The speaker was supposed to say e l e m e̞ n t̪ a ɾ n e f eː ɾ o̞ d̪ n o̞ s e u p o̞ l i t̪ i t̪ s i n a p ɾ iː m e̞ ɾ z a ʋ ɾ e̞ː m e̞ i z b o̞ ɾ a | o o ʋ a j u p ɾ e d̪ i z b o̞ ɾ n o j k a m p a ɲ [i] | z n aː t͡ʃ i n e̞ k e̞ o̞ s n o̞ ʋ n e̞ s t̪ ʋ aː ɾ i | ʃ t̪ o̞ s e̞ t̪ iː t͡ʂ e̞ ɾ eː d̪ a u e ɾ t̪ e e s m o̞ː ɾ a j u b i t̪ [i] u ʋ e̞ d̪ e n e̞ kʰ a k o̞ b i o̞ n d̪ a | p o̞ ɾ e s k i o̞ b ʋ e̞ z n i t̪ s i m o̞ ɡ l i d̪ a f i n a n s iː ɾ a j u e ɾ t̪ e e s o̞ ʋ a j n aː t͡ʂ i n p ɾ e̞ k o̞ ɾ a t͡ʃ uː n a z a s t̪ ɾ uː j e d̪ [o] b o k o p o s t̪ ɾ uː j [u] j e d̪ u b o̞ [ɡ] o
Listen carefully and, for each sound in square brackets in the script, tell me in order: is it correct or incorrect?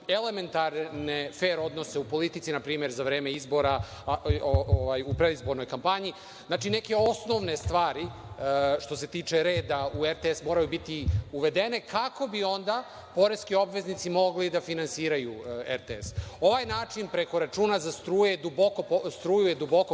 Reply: correct, correct, incorrect: u, correct, incorrect: k

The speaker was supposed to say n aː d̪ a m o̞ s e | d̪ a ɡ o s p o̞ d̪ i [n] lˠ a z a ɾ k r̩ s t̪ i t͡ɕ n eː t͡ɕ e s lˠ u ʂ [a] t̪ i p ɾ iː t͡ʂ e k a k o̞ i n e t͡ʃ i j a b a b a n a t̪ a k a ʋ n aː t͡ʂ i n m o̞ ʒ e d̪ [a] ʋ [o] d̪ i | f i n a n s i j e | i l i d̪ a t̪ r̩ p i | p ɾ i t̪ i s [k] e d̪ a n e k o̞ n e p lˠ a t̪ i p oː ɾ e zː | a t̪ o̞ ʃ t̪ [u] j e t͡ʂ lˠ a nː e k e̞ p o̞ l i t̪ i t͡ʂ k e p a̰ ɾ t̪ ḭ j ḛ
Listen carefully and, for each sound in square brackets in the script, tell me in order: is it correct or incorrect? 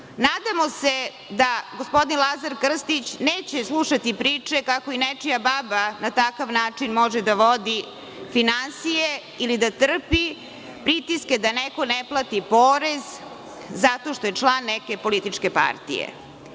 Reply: correct, correct, correct, correct, correct, incorrect: o

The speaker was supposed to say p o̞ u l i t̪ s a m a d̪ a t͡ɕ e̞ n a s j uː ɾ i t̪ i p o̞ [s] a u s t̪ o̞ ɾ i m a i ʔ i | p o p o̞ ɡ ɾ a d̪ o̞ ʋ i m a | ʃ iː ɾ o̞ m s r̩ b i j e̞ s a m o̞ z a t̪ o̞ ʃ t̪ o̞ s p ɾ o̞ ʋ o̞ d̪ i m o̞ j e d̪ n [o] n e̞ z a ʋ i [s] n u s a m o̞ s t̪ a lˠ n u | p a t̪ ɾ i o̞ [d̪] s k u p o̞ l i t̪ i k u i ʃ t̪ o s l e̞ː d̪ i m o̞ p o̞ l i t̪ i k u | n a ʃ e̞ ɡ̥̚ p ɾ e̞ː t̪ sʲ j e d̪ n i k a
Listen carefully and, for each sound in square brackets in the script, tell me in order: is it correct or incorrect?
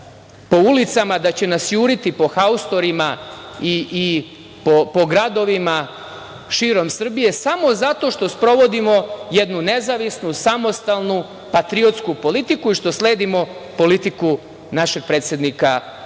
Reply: incorrect: x, incorrect: u, correct, incorrect: t̪

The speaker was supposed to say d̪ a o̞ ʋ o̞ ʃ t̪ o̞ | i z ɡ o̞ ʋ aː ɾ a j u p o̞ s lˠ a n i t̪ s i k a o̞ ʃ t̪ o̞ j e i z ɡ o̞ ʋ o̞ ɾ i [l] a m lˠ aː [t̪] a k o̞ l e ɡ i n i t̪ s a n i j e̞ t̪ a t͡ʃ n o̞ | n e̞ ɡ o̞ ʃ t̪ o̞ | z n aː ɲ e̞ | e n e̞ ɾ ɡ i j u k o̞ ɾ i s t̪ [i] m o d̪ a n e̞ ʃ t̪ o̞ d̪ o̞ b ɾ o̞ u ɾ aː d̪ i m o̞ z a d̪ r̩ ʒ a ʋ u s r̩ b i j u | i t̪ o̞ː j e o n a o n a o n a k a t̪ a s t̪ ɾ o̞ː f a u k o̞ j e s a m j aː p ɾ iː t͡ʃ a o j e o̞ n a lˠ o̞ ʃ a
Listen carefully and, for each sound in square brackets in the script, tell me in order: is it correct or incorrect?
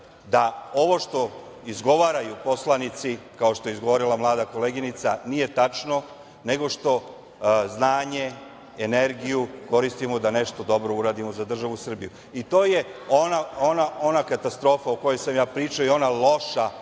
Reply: correct, incorrect: d̪, correct

